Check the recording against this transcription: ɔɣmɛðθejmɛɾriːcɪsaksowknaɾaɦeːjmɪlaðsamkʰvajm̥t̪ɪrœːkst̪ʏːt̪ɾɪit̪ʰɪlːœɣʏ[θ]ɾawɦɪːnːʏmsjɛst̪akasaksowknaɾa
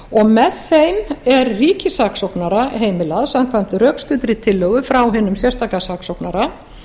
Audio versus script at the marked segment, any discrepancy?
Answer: yes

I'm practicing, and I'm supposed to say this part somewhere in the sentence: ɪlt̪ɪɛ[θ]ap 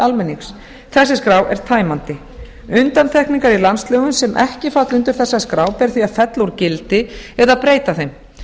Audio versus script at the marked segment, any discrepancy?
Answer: yes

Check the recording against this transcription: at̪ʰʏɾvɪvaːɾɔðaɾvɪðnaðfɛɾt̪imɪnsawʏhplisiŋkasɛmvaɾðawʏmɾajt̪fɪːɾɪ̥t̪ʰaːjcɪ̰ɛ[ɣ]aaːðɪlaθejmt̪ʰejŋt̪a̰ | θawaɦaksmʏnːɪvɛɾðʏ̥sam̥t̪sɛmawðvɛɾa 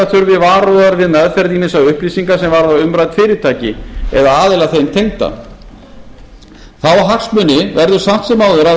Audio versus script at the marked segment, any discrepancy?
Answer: yes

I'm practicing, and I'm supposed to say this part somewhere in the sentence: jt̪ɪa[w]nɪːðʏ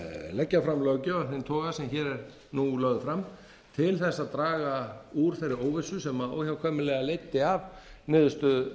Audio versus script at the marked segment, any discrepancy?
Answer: yes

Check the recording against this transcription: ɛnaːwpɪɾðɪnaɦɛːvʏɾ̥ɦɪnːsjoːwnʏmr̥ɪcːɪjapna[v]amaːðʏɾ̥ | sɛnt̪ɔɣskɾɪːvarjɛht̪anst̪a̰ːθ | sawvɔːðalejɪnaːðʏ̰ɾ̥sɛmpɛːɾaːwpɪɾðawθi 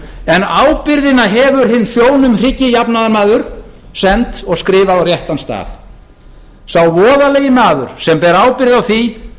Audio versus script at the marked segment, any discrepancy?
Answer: yes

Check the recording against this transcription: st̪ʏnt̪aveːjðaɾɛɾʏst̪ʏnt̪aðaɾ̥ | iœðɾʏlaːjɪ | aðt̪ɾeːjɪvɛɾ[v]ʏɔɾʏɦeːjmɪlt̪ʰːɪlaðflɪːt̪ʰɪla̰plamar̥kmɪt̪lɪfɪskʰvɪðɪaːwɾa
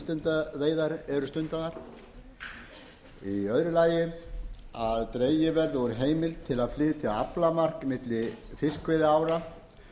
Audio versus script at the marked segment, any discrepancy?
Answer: yes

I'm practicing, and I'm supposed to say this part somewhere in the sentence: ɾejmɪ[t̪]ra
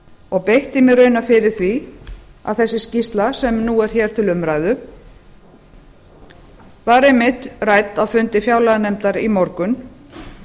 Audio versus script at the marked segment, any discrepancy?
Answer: no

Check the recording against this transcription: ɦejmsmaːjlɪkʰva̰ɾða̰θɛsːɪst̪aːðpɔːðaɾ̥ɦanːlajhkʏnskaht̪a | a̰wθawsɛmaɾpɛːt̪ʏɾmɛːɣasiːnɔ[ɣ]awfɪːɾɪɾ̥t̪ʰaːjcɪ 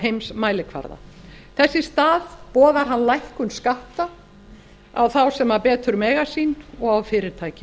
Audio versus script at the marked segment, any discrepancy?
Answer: no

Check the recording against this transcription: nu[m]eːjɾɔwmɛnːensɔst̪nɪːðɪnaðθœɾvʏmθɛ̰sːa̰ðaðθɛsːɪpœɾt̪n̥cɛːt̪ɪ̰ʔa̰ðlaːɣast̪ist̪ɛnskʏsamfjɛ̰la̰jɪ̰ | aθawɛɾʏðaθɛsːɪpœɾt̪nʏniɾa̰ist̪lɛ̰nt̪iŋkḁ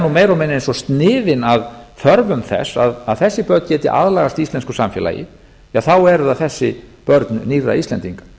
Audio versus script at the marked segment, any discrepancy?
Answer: no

